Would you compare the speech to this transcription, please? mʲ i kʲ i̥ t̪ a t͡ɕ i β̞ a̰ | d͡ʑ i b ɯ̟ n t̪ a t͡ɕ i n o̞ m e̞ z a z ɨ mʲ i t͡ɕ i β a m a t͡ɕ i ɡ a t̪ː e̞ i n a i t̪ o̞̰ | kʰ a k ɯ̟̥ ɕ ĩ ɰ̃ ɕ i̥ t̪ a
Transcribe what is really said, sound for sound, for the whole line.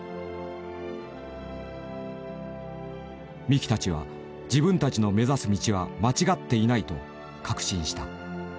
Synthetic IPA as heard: mʲ i kʲ i̥ t̪ a t͡ɕ i β̞ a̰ | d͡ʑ i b ɯ̟̃ n t̪ a t͡ɕ i n o̞ m e̞ z a s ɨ mʲ i t͡ɕ i β a m a t͡ɕ i ɡ a t̪ː e̞ i n a i t̪ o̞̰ | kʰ a k ɯ̟̥ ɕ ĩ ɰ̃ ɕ i̥ t̪ a